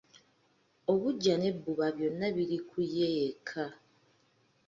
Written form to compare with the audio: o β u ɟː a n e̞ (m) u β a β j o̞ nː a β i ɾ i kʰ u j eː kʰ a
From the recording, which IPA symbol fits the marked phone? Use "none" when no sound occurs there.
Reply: b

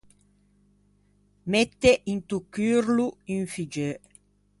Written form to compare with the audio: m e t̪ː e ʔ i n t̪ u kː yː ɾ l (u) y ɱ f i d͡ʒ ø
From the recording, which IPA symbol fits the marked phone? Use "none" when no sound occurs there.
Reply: u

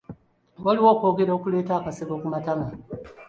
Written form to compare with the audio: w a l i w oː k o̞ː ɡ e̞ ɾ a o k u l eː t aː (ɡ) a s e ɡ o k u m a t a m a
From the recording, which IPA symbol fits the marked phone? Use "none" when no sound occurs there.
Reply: k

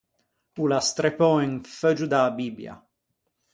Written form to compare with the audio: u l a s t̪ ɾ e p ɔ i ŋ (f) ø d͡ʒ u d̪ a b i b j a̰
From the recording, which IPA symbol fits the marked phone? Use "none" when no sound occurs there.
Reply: f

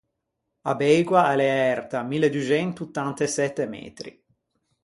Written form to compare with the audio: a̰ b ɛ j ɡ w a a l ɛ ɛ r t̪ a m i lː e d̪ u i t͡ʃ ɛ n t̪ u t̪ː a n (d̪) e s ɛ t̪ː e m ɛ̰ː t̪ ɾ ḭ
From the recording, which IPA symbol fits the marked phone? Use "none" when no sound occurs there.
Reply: t̪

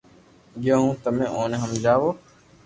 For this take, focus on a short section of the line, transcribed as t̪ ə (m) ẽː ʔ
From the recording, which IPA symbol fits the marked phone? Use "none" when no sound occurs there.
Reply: m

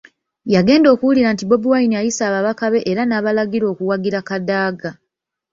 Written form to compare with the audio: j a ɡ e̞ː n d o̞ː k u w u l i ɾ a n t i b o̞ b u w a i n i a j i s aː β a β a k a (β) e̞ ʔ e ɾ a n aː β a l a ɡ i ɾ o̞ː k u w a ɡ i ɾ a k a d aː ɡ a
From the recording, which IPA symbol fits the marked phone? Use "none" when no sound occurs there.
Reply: β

